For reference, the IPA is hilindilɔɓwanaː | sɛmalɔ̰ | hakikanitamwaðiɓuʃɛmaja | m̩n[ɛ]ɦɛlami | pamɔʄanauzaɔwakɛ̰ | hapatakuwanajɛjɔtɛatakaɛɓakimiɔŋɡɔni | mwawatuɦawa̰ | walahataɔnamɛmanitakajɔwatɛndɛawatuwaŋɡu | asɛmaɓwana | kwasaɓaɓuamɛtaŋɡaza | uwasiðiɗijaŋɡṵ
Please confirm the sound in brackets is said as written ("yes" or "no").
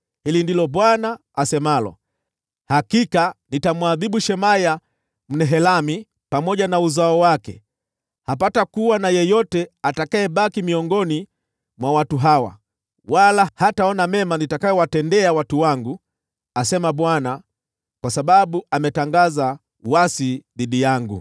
yes